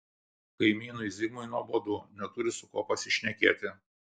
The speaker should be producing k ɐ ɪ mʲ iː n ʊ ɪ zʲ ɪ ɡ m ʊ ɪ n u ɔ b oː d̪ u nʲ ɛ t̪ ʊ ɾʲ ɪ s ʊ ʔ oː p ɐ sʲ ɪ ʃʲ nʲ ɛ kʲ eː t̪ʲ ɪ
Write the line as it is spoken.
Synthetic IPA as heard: k ɐ ɪ mʲ iː n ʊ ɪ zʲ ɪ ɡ m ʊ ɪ n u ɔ b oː d̪ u nʲ ɛ t̪ ʊ ɾʲ ɪ s ʊ k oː p ɐ sʲ ɪ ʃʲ nʲ ɛ kʲ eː t̪ʲ ɪ